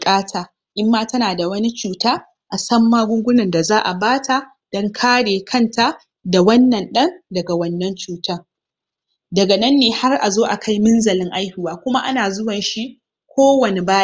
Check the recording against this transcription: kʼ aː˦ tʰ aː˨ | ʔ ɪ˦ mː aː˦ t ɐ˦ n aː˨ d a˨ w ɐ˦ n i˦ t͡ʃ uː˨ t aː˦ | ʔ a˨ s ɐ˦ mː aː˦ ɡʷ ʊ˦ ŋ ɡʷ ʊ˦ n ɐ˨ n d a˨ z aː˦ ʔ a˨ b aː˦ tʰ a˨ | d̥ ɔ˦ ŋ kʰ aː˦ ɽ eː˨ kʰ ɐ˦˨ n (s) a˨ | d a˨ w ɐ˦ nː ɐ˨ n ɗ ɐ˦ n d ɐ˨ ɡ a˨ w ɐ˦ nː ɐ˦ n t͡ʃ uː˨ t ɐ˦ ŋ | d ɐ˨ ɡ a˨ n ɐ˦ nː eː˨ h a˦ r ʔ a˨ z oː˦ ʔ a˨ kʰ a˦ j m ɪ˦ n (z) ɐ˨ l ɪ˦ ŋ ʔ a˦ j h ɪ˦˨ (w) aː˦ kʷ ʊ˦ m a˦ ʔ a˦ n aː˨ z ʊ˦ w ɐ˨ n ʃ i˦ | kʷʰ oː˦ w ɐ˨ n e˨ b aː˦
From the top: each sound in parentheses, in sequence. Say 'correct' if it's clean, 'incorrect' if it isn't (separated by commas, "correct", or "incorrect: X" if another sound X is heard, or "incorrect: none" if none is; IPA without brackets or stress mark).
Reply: incorrect: t, correct, correct